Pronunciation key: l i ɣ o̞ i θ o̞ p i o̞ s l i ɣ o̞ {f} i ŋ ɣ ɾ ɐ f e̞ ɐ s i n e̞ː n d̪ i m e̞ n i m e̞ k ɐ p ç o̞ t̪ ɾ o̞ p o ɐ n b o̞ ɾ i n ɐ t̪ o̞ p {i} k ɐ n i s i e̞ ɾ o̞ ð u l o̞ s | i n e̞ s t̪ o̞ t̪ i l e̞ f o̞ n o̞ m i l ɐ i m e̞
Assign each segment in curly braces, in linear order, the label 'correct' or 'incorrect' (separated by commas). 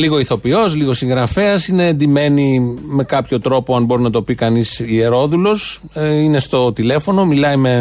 incorrect, correct